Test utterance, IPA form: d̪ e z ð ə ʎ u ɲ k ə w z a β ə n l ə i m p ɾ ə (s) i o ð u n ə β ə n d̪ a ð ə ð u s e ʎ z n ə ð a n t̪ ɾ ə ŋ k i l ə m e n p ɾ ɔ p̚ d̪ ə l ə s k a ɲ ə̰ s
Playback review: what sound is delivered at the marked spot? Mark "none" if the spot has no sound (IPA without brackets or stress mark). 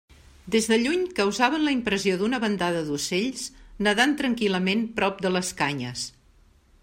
z